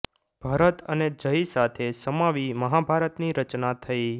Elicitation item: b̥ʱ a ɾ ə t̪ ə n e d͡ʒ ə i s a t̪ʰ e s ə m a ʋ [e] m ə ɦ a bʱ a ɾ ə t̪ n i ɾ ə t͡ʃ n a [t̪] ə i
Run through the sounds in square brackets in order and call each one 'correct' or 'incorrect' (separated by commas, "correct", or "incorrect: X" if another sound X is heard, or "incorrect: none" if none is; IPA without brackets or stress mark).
incorrect: i, incorrect: t̪ʰ